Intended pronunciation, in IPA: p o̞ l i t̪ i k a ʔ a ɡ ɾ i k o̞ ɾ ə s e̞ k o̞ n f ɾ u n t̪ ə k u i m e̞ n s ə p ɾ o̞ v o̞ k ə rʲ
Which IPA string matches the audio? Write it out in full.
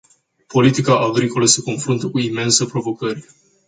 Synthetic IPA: p o̞ l i t̪ i k a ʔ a ɡ ɾ i k o̞ l ə s e̞ k o̞ n f ɾ u n t̪ ə k u i m e̞ n s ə p ɾ o̞ v o̞ k ə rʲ

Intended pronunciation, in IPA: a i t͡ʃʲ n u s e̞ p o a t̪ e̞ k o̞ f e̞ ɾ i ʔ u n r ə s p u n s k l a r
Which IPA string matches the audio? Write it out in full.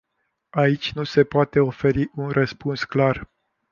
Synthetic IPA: a i t͡ʃʲ n u s e̞ p o a t̪ e̞ o̞ f e̞ ɾ i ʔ u n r ə s p u n s k l a r

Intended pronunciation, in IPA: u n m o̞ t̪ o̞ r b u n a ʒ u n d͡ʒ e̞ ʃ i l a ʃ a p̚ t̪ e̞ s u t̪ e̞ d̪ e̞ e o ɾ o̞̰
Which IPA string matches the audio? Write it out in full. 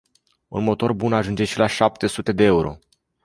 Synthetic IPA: u n m o̞ t̪ o̞ r b u n a ʒ u n d͡ʒ e̞ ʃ i l a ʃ a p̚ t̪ e̞ s u t̪ e̞ d̪ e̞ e u ɾ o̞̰

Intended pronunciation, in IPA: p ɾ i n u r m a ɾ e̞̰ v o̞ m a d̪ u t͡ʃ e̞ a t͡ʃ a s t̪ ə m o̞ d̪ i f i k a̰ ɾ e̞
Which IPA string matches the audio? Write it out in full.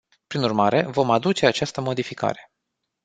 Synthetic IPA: p ɾ i n u r m a ɾ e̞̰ v o̞ m a d̪ u t͡ʃ e̞ a t͡ʃ a s t̪ ə m o̞ d̪ i f i k a̰ ɾ e̞

